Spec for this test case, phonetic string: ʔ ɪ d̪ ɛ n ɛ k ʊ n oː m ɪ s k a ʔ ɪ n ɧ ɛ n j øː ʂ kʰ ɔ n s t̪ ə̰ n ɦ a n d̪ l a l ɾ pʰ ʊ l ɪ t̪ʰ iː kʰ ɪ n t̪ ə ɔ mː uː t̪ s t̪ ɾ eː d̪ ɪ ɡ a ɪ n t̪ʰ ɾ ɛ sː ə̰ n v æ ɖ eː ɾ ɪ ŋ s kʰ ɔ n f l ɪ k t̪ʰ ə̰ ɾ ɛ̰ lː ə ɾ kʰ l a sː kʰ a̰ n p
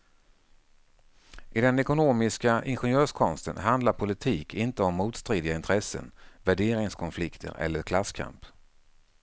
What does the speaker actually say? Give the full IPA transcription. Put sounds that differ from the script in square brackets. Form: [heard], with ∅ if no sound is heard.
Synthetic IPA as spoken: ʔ ɪ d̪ ɛ n ɛ k ʊ n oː m ɪ s k a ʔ ɪ n ɧ ɛ n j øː ʂ kʰ ɔ n s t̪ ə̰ n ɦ a n d̪ l a [∅] ɾ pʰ ʊ l ɪ t̪ʰ iː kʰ ɪ n t̪ ə ɔ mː uː t̪ s t̪ ɾ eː d̪ ɪ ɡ a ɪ n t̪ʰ ɾ ɛ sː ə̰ n v æ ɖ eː ɾ ɪ ŋ s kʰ ɔ n f l ɪ k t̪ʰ ə̰ ɾ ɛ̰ lː ə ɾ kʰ l a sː kʰ a̰ [m] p